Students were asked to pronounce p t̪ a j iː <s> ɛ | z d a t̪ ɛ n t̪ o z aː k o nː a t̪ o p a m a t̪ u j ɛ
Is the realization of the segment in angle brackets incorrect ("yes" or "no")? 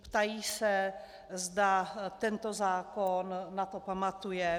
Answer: no